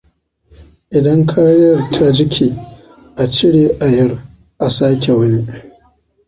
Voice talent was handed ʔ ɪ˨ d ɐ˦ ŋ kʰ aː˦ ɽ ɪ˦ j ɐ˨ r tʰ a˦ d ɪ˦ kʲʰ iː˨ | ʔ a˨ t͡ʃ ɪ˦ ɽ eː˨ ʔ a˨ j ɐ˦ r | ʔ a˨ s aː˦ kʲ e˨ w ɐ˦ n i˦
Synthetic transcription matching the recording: ʔ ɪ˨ d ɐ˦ ŋ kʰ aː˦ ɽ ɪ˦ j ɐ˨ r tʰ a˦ d͡ʒ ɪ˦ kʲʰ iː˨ | ʔ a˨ t͡ʃ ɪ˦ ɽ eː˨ ʔ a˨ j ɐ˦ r | ʔ a˨ s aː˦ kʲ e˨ w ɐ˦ n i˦